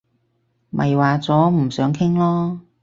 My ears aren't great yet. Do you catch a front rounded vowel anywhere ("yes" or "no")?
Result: yes